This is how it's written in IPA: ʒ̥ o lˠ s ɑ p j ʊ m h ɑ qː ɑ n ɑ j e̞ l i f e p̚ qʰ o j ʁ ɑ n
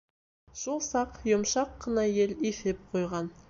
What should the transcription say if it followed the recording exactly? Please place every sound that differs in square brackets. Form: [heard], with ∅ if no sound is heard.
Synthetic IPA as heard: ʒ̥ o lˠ s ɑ [q] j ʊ m [ʃ] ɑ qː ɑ n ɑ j e̞ l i f e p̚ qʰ o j ʁ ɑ n